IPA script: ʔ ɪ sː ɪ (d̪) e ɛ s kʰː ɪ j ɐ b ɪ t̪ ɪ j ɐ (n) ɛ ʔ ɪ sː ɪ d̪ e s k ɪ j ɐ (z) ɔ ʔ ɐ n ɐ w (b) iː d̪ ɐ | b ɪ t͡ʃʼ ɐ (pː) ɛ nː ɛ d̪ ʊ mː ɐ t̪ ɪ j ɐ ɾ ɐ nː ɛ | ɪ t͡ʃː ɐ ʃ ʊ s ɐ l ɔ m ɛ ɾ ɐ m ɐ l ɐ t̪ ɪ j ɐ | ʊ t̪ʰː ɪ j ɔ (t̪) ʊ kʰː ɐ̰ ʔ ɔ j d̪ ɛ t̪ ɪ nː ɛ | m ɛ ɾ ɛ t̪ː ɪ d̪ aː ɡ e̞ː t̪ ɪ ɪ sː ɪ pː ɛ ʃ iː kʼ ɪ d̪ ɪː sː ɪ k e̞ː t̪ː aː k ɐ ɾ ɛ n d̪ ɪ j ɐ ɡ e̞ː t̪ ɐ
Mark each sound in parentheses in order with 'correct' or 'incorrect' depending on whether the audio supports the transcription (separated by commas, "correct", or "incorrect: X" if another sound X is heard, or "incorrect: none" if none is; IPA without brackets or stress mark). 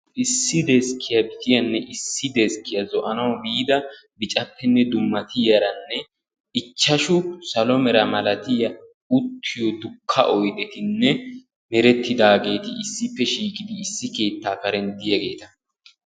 correct, incorrect: nː, correct, correct, correct, incorrect: d̪